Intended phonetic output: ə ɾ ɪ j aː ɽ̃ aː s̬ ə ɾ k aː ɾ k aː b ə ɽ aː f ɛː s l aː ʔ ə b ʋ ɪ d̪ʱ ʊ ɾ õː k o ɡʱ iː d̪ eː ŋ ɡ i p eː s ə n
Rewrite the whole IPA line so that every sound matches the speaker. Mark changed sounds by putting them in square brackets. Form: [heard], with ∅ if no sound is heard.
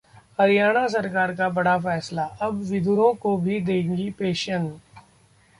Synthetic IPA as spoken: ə ɾ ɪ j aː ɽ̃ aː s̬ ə ɾ k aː ɾ k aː b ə ɽ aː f ɛː s l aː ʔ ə b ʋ ɪ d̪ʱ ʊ ɾ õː k o [bʱ] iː d̪ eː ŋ ɡ i p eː [ʃ] ə n